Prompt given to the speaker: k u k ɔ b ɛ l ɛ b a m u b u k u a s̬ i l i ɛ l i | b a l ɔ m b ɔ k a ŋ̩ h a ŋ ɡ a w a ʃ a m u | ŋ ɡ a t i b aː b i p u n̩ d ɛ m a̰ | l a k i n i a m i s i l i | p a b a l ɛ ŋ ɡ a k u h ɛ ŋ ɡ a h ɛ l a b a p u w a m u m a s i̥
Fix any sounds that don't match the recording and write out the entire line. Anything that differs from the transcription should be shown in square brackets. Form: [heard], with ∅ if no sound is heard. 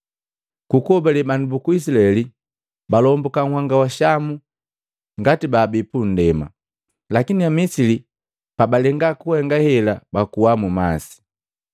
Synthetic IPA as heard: k u k ɔ b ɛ l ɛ b a [n] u b u k u [i] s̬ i l [a] ɛ l i | b a l ɔ m b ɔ k a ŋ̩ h a ŋ ɡ a w a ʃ a m u | ŋ ɡ a t i b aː b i p u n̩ d ɛ m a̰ | l a k i n i a m i s i l i | p a b a l ɛ ŋ ɡ a k u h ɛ ŋ ɡ a h ɛ l a b a [k] u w a m u m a s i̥